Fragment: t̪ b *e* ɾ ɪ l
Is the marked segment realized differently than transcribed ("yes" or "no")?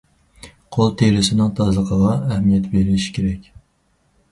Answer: no